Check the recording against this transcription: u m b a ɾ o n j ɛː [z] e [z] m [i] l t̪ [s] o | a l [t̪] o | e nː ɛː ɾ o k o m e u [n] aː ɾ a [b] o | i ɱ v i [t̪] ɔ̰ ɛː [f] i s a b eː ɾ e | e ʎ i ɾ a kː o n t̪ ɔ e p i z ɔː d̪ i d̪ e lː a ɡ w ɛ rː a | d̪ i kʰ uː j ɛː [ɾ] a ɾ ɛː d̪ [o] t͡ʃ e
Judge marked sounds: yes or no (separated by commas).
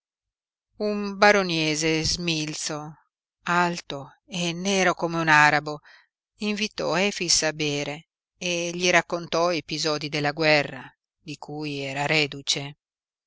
yes, yes, yes, yes, yes, yes, yes, yes, yes, yes, no